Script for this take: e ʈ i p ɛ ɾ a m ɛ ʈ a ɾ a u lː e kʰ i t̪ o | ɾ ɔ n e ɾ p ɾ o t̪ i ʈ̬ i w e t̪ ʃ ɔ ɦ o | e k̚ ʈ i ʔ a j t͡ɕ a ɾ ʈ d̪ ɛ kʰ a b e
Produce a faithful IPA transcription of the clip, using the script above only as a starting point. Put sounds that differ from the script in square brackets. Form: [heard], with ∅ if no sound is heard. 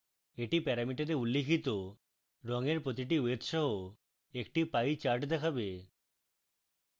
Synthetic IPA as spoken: e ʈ i p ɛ ɾ a m [i] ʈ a ɾ [e] u lː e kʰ i t̪ o | ɾ ɔ [ŋ] e ɾ p ɾ o t̪ i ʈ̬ i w e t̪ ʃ ɔ ɦ o | e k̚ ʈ i [p] a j t͡ɕ a ɾ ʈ d̪ ɛ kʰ a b e